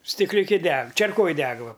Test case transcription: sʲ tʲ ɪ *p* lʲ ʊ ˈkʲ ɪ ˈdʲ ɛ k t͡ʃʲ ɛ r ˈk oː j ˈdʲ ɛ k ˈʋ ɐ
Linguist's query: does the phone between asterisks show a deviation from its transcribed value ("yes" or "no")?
yes